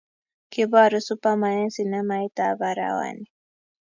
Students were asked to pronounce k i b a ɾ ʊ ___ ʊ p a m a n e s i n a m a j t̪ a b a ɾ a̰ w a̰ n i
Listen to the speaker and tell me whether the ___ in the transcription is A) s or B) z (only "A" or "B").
A